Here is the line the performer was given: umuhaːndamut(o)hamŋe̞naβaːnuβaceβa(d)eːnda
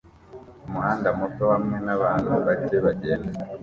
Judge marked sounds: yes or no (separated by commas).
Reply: yes, no